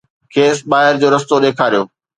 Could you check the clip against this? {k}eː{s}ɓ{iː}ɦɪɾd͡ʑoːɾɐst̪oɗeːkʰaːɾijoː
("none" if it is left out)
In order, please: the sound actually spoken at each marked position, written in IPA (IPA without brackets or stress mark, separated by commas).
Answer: kʰ, s, aː